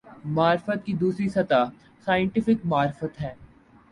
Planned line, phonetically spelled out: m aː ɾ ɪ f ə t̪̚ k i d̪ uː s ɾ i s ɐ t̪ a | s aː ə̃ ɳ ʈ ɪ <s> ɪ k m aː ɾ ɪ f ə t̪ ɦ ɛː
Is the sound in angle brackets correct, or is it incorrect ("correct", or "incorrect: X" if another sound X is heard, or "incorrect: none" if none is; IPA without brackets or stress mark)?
incorrect: f